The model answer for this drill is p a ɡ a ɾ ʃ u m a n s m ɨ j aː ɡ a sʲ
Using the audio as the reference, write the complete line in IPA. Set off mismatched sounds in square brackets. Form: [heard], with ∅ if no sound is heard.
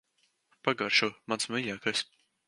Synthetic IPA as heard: p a ɡ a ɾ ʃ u m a n s m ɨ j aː [k] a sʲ